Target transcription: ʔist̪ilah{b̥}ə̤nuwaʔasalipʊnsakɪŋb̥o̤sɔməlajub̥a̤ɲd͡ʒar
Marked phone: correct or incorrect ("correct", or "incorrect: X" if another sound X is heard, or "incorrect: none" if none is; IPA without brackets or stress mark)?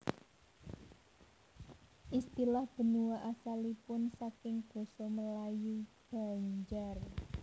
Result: correct